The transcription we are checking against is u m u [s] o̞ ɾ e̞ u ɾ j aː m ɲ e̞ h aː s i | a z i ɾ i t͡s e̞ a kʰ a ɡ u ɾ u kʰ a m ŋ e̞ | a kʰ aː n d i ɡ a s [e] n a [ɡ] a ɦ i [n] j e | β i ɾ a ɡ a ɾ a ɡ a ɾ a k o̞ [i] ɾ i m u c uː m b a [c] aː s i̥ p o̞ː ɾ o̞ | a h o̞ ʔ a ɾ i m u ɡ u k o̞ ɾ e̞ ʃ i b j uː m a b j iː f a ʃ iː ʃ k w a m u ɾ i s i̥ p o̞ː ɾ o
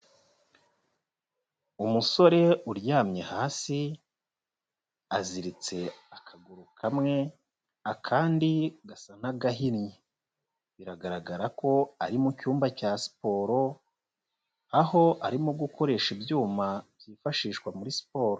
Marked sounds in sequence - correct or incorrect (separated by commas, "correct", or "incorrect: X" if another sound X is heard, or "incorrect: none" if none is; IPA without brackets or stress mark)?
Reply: correct, incorrect: a, correct, correct, incorrect: a, correct